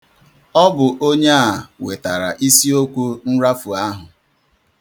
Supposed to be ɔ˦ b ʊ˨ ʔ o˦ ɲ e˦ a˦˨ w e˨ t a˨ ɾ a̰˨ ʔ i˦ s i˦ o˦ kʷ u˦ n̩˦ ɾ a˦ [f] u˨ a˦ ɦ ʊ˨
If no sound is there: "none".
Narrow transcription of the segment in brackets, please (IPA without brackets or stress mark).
f